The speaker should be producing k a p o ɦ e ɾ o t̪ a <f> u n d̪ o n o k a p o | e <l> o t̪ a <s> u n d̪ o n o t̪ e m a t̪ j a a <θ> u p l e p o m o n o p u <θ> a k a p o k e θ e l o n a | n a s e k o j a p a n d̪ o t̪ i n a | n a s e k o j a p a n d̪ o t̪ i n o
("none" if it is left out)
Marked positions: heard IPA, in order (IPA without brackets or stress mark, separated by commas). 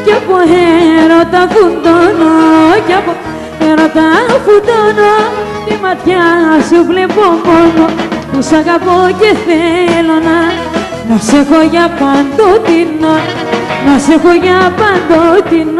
f, ɾ, f, s, s